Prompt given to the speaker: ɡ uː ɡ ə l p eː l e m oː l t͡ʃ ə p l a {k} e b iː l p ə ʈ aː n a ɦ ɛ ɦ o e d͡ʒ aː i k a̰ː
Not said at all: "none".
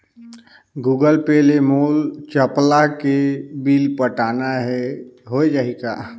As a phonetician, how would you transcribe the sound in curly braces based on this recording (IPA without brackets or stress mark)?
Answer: k